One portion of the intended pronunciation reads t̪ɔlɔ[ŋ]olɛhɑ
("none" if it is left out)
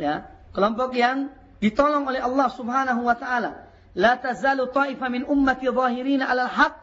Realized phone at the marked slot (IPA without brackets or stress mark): ŋ